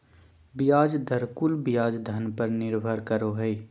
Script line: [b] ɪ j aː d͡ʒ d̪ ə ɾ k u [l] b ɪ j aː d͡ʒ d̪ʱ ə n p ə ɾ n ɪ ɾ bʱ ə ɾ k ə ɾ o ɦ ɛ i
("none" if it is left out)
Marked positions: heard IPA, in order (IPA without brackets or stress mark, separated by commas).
b, l